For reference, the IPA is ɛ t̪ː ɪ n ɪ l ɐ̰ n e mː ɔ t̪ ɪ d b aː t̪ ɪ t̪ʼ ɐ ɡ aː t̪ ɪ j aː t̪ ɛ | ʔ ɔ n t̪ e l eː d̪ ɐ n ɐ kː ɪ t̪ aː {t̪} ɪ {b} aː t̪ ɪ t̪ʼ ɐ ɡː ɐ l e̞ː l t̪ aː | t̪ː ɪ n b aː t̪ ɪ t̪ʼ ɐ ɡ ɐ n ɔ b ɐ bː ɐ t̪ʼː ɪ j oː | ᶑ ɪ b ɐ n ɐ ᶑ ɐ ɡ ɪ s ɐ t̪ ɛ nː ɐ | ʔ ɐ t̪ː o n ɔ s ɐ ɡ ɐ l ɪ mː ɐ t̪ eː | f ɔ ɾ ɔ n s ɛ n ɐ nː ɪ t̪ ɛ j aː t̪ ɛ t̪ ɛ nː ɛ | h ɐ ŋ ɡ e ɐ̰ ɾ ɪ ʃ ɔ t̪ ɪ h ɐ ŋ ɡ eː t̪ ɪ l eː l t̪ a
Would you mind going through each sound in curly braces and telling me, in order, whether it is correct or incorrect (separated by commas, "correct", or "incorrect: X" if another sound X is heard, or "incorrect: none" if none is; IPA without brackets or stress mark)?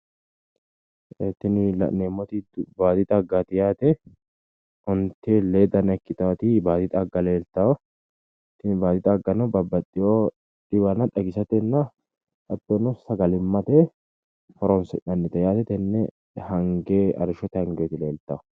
correct, correct